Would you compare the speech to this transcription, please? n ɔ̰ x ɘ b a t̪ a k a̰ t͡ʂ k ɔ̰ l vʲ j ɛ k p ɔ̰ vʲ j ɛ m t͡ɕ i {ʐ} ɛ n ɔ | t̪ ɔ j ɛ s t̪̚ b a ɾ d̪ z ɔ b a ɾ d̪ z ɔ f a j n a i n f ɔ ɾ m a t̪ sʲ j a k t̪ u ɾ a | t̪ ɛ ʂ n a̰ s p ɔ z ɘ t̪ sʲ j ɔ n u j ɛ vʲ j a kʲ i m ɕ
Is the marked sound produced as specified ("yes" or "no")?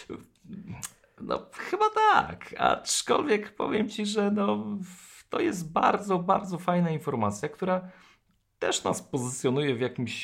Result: yes